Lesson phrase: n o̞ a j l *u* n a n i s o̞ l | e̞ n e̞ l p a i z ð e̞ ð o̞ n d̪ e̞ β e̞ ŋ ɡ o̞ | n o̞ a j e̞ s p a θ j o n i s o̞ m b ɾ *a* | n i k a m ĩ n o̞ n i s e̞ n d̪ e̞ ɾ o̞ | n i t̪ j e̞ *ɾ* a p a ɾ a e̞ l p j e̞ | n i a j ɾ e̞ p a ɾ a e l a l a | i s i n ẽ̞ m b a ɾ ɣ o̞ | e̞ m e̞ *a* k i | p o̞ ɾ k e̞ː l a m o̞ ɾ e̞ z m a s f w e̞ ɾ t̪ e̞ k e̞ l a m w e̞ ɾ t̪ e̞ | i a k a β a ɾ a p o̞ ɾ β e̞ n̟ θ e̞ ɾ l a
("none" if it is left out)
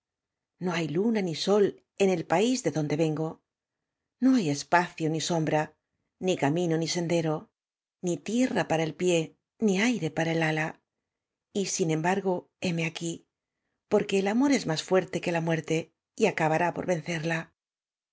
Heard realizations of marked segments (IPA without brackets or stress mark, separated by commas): u, a, r, a